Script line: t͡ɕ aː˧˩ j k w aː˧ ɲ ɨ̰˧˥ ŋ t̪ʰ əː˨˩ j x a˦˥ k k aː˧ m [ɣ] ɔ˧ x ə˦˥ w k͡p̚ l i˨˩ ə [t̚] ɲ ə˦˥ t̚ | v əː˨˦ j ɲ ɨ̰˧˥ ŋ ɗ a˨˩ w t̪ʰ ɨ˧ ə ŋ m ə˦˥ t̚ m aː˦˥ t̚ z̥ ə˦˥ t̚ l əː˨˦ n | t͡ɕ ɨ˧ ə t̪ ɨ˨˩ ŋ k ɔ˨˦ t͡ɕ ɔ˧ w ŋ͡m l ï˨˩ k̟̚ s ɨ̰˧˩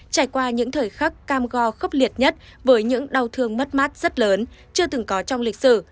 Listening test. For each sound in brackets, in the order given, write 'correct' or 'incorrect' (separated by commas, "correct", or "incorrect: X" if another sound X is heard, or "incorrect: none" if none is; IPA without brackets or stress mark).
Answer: correct, correct